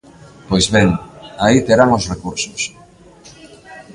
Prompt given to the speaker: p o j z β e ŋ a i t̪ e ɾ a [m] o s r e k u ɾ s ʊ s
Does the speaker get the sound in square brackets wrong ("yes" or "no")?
yes